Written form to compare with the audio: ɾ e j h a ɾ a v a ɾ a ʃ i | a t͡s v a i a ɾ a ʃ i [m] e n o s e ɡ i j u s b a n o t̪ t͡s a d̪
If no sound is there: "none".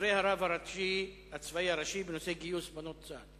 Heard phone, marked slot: b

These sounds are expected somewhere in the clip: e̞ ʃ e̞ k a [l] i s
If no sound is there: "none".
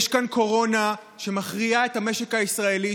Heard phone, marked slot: none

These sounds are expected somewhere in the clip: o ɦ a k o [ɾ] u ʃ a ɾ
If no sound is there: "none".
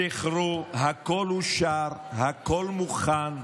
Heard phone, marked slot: l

